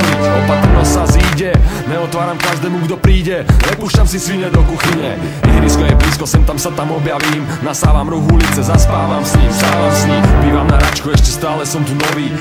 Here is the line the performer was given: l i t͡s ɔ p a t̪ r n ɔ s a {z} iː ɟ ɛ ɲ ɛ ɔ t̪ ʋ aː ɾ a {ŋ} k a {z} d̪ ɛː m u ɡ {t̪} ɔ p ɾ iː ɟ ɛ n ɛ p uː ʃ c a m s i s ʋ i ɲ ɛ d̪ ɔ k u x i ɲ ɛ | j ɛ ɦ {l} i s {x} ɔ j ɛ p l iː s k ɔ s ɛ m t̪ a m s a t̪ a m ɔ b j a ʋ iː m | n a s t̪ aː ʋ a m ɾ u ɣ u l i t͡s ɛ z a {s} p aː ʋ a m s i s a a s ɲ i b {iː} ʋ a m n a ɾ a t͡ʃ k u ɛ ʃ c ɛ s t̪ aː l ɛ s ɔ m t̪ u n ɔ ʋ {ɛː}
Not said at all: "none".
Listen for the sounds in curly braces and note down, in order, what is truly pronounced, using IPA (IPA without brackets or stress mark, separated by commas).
z, m, ʒ, d̪, ɾ, k, s, iː, iː